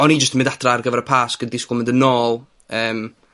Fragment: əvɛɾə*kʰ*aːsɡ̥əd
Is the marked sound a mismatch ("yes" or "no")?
yes